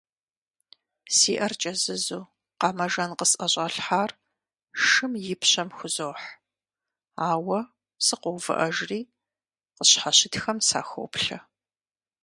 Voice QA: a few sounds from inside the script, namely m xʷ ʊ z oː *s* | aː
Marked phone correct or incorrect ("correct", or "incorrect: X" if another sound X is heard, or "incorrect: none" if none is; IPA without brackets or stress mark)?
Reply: incorrect: ħ